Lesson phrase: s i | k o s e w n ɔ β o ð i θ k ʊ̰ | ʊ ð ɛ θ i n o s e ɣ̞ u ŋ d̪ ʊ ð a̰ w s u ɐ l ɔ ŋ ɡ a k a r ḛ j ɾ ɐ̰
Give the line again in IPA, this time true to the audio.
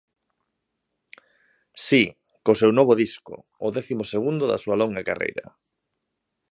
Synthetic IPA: s i | k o s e w n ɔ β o ð i s k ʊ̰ | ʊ ð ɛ θ i m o s e ɣ̞ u n d̪ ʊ ð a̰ s u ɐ l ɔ ŋ ɡ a k a r ḛ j ɾ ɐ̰